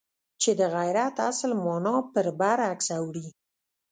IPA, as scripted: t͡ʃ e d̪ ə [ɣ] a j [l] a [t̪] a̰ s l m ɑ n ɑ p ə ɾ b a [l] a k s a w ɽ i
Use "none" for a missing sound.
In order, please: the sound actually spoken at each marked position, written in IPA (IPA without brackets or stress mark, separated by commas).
ɣ, ɾ, t̪, ɾ